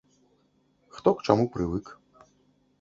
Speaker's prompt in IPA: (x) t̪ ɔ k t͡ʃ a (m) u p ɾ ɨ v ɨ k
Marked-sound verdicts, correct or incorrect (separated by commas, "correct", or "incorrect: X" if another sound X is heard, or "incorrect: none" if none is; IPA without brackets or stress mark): correct, correct